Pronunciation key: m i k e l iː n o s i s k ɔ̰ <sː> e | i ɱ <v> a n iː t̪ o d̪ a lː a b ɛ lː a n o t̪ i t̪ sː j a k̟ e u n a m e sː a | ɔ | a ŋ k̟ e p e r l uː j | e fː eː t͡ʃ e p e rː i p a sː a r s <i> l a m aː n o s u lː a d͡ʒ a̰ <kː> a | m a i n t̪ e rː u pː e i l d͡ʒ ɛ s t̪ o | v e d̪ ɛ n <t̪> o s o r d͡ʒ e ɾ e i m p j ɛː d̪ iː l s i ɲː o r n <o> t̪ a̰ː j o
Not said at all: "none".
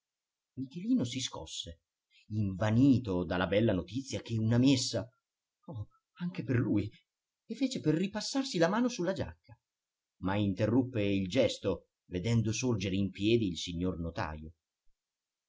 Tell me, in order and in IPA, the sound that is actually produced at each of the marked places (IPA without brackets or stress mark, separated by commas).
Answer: sː, v, i, kː, d̪, o